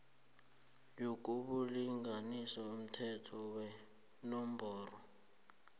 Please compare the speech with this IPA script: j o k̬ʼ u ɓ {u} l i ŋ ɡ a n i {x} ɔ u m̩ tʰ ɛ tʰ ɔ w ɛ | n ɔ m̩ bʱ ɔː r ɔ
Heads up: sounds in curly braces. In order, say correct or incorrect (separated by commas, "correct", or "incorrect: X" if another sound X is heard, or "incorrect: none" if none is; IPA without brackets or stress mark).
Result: correct, incorrect: s